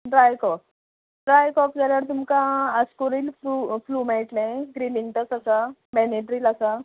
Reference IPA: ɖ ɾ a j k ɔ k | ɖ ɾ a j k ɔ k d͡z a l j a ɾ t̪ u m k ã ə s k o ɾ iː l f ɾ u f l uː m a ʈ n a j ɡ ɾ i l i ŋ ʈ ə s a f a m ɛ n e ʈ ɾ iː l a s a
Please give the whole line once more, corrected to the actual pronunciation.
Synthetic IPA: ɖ ɾ a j k ɔ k | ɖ ɾ a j k ɔ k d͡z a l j a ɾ t̪ u m k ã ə s k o ɾ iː l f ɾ u f l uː m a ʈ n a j ɡ ɾ i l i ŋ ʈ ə s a s a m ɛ n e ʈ ɾ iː l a s a